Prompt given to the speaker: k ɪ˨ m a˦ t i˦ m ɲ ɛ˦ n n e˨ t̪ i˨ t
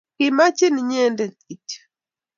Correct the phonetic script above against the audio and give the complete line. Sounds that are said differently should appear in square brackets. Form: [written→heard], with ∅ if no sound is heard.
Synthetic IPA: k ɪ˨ m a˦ [t→t͡ʃ] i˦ [m→n] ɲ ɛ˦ n [n→d] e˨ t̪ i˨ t

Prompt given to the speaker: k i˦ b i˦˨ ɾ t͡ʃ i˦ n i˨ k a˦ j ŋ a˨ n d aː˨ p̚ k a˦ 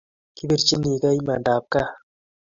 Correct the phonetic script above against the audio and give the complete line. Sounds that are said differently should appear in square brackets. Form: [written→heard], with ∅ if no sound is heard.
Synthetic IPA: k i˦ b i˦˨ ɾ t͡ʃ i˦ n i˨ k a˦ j [ŋ→m] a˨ n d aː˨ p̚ k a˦

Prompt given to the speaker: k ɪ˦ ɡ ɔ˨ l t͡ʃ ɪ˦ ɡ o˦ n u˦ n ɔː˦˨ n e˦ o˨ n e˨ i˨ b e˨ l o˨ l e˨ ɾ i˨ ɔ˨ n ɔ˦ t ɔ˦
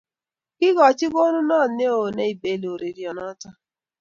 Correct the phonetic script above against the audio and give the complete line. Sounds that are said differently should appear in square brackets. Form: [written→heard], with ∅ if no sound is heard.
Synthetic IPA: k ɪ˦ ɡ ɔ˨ [l→∅] t͡ʃ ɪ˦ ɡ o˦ n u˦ n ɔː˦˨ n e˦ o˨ n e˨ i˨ b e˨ l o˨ [l→ɾ] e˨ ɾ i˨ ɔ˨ n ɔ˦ t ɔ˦

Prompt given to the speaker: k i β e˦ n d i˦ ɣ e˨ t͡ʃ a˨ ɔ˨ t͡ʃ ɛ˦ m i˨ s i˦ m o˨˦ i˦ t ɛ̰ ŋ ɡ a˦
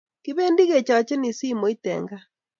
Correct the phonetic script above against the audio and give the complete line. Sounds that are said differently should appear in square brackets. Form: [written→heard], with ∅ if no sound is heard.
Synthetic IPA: k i β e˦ n d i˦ ɣ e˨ t͡ʃ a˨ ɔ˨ t͡ʃ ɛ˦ [m→n] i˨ s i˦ m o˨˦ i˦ t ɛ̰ ŋ ɡ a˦

